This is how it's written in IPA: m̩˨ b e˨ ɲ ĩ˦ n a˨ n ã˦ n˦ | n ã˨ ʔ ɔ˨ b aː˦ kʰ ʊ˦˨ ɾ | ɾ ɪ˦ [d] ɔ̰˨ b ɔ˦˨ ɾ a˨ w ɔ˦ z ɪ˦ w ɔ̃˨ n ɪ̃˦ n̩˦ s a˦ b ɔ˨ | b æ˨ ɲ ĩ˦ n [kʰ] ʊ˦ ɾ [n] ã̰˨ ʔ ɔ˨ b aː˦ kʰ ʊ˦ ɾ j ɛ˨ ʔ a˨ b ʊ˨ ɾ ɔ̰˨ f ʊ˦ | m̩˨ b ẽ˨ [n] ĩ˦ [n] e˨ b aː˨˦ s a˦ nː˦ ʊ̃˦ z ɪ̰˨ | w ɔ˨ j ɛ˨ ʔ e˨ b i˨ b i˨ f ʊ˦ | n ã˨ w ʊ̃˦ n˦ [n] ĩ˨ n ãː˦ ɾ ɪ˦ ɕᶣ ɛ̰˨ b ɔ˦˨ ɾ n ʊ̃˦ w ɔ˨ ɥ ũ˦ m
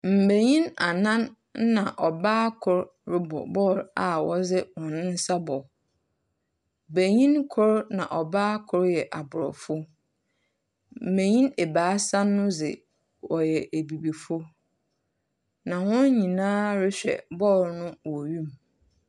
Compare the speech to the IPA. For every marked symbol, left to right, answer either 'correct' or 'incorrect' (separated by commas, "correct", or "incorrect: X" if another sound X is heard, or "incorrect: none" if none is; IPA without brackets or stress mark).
incorrect: b, correct, correct, incorrect: ɲ, correct, incorrect: ɲ